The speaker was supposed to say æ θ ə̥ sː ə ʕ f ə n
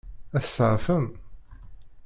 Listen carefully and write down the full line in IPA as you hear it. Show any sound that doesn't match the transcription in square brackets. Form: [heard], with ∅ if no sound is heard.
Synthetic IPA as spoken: æ θ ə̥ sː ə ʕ f ə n